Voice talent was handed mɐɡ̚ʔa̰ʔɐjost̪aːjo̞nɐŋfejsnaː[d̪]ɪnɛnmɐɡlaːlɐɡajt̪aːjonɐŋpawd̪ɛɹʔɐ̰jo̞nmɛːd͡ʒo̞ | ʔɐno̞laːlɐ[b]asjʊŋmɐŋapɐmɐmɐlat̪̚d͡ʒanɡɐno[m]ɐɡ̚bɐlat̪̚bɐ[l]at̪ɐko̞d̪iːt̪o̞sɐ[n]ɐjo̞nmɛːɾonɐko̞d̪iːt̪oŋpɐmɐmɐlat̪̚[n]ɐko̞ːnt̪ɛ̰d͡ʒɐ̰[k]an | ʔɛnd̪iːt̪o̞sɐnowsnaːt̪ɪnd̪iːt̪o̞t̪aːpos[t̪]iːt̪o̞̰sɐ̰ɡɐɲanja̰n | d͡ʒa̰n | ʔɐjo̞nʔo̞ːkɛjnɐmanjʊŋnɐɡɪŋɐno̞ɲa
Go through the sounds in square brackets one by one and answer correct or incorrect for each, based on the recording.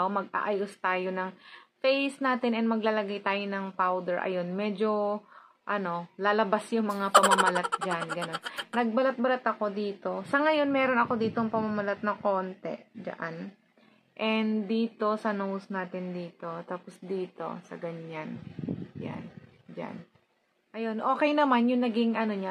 incorrect: t̪, correct, incorrect: n, correct, incorrect: ŋ, correct, incorrect: ʔ, incorrect: d̪

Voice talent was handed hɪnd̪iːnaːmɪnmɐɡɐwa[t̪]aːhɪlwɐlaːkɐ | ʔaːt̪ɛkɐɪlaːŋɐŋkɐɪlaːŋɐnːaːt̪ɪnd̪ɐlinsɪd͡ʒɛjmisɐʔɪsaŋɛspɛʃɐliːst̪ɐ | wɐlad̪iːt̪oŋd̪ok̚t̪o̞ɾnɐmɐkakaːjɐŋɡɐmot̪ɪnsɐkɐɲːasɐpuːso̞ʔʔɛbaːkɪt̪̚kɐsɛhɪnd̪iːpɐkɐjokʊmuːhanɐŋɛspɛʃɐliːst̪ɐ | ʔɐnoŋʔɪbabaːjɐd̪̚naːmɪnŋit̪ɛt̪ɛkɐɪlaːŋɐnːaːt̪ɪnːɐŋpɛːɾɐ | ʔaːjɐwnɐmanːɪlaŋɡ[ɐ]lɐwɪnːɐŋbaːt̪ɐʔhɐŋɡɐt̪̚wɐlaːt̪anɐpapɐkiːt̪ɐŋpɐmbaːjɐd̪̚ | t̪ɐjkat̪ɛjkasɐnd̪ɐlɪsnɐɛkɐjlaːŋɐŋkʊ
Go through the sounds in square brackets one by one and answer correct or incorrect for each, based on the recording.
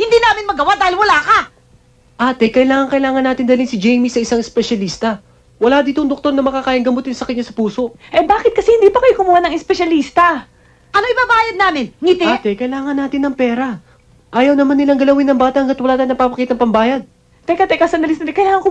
incorrect: d̪, correct

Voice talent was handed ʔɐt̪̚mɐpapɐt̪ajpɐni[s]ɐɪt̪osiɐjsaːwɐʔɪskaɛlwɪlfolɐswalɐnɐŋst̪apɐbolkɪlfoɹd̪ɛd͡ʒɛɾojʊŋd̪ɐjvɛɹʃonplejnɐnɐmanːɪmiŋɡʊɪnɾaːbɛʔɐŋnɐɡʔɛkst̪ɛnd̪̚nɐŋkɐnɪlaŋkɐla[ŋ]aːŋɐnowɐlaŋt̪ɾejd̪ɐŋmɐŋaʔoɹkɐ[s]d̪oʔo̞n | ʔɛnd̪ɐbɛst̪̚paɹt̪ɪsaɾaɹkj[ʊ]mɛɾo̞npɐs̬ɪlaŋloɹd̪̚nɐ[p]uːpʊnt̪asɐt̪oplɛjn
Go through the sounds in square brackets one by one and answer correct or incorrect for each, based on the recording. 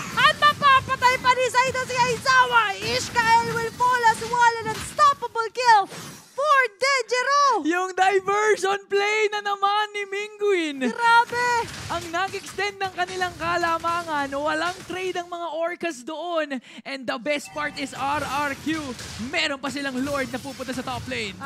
correct, incorrect: m, correct, incorrect: u, correct

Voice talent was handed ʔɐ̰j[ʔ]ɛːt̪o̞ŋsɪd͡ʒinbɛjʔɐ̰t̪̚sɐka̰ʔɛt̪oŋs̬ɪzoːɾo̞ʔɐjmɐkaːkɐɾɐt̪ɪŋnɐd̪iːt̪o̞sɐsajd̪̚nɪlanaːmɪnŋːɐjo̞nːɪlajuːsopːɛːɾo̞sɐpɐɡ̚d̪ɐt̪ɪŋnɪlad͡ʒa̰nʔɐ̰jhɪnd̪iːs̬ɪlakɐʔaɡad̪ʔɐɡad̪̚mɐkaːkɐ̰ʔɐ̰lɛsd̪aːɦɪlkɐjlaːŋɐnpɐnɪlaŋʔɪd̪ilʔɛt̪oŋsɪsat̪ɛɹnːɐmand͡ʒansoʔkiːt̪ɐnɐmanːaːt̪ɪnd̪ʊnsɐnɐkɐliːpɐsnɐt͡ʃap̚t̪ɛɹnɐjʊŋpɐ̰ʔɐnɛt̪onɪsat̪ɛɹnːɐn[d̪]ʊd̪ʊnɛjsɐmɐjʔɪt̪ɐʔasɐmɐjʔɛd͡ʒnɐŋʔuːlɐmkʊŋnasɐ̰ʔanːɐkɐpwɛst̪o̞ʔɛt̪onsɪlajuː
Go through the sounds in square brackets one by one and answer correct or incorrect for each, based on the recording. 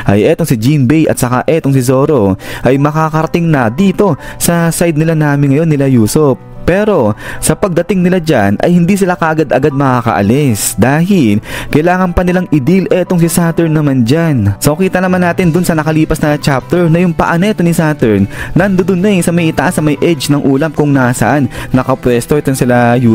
correct, correct

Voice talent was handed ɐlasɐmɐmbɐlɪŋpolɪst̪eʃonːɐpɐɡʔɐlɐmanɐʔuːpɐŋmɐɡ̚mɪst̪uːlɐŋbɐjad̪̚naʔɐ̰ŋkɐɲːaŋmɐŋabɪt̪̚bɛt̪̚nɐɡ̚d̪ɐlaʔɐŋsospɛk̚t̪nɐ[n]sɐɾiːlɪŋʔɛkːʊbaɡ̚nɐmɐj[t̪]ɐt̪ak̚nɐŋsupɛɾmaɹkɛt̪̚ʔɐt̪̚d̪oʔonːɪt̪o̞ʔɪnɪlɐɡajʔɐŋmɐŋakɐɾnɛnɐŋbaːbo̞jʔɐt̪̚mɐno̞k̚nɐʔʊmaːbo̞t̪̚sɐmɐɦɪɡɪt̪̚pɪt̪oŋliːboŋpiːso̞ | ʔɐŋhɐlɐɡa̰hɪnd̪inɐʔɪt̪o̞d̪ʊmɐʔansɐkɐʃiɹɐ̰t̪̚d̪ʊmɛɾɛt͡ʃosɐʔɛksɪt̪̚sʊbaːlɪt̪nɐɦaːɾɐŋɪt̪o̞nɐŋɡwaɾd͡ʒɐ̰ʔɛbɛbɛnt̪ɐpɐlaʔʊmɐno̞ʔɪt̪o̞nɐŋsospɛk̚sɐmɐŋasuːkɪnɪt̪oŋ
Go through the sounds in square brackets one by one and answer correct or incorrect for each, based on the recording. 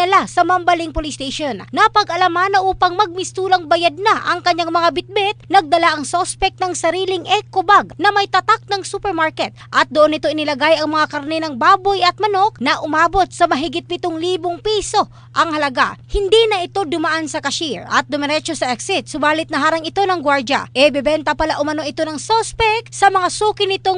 incorrect: ŋ, correct

